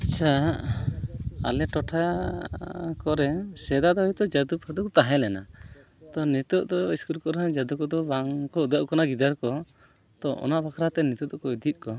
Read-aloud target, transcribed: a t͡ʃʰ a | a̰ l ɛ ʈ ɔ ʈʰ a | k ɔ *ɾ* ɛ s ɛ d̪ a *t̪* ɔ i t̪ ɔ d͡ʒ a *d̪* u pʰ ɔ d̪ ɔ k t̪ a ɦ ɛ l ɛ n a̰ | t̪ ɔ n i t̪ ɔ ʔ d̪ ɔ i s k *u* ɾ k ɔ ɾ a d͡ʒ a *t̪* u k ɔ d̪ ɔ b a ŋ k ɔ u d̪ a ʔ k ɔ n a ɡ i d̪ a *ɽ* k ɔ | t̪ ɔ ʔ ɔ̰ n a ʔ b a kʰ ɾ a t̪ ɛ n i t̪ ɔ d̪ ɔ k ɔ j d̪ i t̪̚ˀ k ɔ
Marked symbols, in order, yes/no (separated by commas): yes, no, yes, yes, no, no